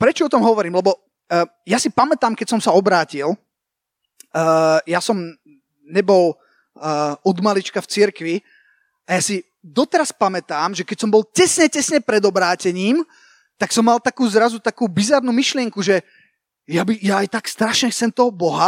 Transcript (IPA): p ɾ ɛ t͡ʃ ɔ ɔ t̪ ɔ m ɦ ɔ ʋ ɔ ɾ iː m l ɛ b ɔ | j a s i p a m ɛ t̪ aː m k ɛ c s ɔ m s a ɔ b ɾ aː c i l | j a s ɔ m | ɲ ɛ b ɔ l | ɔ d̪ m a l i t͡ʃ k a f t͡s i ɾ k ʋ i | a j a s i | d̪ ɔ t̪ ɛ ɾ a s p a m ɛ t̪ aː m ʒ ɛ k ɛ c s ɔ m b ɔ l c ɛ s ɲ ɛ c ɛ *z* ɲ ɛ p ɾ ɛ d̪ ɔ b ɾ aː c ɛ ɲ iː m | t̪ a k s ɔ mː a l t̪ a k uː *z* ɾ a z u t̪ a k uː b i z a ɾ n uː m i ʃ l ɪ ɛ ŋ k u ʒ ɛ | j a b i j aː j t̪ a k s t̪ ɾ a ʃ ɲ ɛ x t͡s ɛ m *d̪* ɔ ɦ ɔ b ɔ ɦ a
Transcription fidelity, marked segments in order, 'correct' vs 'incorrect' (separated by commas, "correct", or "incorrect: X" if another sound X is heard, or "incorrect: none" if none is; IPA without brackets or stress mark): incorrect: s, correct, incorrect: t̪